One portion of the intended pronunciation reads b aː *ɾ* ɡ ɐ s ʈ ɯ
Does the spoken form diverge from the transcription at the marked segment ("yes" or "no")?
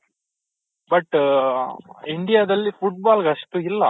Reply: yes